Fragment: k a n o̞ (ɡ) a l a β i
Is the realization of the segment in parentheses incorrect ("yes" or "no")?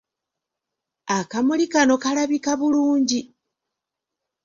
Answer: yes